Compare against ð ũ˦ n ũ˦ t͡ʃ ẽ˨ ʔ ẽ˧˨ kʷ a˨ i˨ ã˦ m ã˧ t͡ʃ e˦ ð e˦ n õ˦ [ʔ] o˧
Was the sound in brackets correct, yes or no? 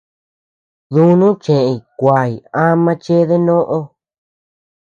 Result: yes